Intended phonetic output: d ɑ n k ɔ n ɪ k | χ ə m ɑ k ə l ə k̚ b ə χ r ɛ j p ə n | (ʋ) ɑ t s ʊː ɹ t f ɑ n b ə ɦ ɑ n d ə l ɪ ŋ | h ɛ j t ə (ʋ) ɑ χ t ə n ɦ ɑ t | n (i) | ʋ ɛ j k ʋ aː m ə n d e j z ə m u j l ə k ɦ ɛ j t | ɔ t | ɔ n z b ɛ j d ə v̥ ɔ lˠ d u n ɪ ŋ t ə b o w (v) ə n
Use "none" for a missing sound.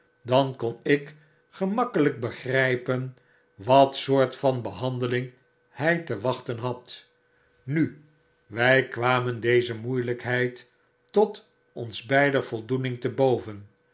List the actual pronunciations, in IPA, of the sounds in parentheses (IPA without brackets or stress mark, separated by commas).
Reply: ʋ, ʋ, y, v